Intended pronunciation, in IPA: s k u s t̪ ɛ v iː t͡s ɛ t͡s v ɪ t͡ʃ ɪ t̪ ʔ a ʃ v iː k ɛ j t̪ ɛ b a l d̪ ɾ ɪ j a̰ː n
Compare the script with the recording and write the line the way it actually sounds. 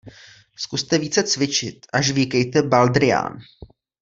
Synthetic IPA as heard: s k u s t̪ ɛ v iː t͡s ɛ t͡s v ɪ t͡ʃ ɪ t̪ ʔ a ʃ v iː k ɛ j t̪ ɛ b a l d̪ ɾ ɪ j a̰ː n